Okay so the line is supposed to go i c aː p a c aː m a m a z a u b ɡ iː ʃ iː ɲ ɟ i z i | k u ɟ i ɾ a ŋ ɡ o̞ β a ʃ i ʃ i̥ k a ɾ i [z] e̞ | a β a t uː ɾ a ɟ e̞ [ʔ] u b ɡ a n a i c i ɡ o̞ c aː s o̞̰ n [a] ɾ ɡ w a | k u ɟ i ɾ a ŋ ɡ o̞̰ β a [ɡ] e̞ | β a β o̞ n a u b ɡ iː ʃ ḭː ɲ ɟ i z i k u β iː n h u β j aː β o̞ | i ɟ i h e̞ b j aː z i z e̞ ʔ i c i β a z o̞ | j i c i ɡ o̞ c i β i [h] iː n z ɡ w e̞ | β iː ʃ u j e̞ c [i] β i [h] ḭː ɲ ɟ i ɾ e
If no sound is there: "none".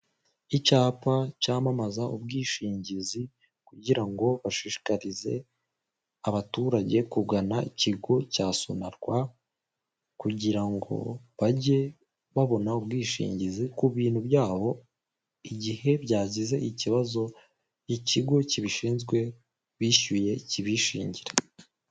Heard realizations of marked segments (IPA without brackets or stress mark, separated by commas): z, k, a, ɟ, ʃ, i, ʃ